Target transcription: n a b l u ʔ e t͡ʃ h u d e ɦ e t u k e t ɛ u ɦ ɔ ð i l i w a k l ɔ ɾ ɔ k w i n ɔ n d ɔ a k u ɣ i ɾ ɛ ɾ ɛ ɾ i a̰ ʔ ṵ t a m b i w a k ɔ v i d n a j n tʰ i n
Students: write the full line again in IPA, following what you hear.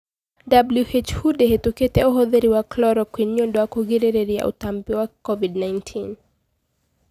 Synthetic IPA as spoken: d a b l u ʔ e t͡ʃ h u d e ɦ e t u k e t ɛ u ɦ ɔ ð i ɾ i w a k l ɔ ɾ ɔ k w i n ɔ n d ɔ a k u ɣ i ɾ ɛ ɾ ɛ ɾ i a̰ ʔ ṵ t a m b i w a k ɔ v i d n a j n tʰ i n